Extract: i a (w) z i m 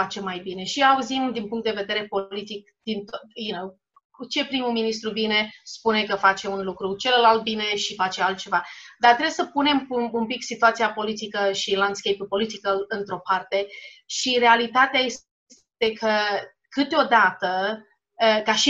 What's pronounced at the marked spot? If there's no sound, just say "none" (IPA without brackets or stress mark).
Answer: u